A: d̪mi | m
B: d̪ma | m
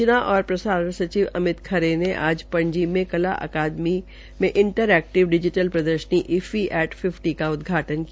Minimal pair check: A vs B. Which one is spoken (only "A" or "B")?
A